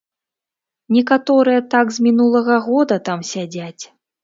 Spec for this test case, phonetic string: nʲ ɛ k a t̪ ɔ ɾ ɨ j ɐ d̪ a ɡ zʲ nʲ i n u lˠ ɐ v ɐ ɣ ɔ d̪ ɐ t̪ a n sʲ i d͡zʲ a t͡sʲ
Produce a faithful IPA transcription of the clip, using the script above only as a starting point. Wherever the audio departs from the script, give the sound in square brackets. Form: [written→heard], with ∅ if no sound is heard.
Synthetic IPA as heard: nʲ ɛ k a t̪ ɔ ɾ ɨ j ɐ [d̪→t̪] a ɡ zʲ [nʲ→mʲ] i n u lˠ ɐ [v→ɣ] ɐ ɣ ɔ d̪ ɐ t̪ a [n→m] sʲ [i→a] d͡zʲ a t͡sʲ